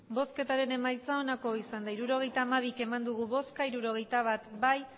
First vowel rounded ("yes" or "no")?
yes